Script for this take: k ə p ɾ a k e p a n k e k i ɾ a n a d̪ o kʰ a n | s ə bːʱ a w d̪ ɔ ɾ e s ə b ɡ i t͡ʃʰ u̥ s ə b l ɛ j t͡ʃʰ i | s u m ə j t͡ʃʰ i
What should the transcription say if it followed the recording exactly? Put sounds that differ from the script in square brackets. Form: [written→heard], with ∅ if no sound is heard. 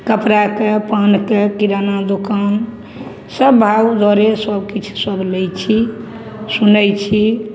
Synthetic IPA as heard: k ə p ɾ a k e p a n k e k i ɾ a n a d̪ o [kʰ→k] a n | s ə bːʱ a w d̪ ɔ ɾ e s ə b [ɡ→k] i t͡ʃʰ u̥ s ə b l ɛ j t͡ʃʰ i | s u [m→n] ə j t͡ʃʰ i